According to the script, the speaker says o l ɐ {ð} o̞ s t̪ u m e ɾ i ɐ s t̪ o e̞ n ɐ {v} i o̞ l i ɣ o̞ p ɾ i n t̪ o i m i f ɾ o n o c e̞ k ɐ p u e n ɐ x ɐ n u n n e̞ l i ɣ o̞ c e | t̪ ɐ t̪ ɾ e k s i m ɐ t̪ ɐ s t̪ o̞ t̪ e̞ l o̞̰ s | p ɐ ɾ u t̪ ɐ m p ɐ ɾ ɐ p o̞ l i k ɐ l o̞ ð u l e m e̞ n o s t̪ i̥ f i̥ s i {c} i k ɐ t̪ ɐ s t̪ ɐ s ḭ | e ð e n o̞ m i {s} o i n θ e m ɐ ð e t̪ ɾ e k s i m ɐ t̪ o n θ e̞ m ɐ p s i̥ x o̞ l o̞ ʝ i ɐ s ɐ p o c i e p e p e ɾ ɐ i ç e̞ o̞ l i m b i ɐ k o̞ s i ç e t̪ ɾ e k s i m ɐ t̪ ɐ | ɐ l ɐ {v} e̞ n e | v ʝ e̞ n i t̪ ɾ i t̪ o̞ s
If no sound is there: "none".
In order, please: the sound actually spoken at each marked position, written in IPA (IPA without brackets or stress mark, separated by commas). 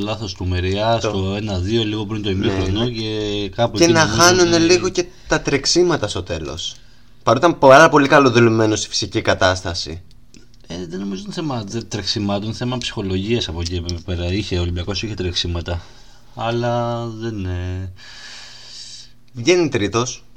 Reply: θ, ð, c, z, ð